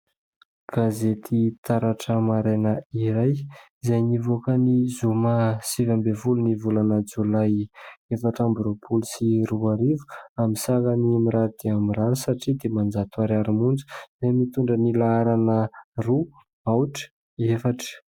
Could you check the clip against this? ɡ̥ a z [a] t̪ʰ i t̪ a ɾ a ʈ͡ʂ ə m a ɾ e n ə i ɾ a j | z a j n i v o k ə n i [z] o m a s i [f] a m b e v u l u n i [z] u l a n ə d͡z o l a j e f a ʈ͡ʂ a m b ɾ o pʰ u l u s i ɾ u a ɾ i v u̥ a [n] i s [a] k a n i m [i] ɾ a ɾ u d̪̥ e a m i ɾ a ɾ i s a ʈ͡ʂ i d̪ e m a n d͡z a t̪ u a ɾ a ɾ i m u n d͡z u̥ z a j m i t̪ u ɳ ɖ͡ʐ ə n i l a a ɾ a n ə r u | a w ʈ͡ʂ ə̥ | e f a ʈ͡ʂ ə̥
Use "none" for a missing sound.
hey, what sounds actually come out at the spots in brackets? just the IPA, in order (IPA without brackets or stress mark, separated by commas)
e, z, v, v, m, a, i